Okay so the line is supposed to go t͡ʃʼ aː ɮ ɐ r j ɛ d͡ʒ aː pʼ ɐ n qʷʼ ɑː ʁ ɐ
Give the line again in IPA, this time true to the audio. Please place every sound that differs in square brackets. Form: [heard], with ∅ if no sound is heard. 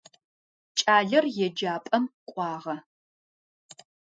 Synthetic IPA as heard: t͡ʃʼ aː ɮ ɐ r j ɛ d͡ʒ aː pʼ ɐ [m] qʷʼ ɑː ʁ ɐ